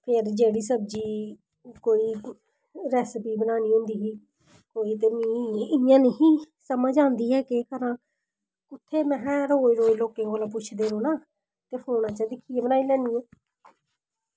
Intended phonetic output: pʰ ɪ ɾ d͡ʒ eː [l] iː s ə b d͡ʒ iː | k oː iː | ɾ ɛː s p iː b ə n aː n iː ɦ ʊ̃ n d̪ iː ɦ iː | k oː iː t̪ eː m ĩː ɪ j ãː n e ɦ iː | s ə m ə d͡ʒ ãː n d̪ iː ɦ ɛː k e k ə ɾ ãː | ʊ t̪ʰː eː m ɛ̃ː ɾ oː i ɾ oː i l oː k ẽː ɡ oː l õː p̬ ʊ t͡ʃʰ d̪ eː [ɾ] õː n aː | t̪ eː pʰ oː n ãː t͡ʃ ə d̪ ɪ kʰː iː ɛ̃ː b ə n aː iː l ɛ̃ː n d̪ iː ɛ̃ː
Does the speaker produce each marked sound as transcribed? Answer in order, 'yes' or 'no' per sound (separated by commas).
no, yes